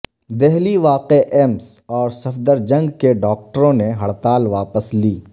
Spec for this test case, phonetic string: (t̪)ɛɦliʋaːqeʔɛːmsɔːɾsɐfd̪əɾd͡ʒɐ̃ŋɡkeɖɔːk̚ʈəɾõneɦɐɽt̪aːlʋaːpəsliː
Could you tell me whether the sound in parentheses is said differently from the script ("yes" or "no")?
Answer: yes